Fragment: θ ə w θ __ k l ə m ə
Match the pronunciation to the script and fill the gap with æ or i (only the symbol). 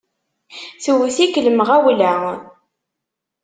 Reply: i